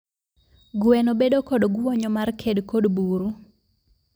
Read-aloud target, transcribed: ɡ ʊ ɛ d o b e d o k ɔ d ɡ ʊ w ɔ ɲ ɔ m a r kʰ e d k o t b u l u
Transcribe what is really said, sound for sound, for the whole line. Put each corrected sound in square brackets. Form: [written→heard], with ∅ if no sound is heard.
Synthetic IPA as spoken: ɡ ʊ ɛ [d→n] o b e d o k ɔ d ɡ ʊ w ɔ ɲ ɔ m a r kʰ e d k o [t→d] b u [l→ɾ] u